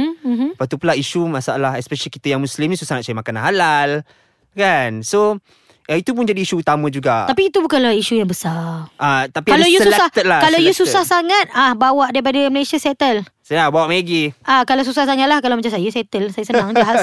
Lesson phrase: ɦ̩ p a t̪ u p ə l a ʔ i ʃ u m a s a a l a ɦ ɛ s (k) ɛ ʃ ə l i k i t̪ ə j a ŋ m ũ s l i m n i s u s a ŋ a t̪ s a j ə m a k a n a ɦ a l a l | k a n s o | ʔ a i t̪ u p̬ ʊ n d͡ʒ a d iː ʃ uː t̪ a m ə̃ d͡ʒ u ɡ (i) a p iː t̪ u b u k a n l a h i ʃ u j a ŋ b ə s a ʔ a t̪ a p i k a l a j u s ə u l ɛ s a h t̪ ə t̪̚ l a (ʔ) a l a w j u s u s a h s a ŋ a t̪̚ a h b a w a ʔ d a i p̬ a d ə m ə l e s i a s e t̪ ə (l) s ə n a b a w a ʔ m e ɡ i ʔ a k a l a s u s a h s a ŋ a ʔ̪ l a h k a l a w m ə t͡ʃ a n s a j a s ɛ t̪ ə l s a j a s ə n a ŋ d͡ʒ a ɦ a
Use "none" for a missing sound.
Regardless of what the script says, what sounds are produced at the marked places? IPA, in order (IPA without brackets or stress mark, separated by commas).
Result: p, a, k, l